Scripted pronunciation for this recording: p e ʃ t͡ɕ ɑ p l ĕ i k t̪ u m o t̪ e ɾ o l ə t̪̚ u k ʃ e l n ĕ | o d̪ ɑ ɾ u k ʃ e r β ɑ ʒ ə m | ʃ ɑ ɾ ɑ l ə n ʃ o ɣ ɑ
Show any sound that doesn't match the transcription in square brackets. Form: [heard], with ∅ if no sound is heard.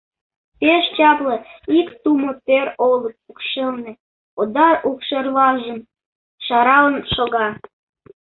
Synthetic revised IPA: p e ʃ t͡ɕ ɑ p l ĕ i k t̪ u m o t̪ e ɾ o l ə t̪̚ u k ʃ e l n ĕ | o d̪ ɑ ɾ u k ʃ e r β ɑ ʒ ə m | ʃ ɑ ɾ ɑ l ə n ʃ o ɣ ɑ